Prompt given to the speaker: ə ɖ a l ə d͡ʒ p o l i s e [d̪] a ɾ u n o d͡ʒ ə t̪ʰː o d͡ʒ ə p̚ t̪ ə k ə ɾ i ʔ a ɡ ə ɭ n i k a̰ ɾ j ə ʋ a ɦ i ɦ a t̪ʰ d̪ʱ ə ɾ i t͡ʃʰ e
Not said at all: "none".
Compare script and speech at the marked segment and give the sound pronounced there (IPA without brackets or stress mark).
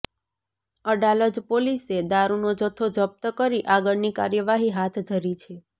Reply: d̪